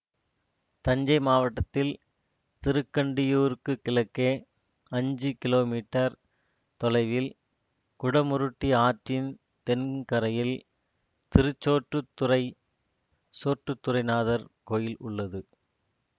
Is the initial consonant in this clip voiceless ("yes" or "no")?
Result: yes